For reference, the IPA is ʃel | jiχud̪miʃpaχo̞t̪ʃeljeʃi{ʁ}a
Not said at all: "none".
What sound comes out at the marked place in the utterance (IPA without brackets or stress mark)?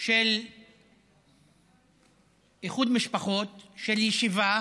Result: v